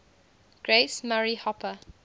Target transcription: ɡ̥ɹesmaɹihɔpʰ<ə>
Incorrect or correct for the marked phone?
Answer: correct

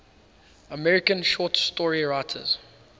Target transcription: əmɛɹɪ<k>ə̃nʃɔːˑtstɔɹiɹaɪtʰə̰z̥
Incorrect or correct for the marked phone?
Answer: correct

